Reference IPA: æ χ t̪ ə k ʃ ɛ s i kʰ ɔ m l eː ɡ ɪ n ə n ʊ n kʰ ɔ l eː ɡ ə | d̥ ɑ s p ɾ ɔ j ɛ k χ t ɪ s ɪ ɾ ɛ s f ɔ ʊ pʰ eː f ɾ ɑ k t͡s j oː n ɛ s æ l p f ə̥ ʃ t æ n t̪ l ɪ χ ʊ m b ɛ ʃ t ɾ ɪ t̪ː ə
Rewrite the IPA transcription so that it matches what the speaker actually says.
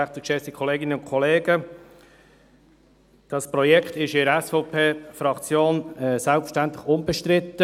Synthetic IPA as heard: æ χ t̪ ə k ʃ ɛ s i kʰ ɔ l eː ɡ ɪ n ə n ʊ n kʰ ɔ l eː ɡ ə | d̥ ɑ s p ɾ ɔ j ɛ k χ t ɪ ʃ ɪ ɾ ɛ s f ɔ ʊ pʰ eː f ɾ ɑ k t͡s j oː n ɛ s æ l p f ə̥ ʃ t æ n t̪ l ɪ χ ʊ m b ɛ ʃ t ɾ ɪ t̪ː ə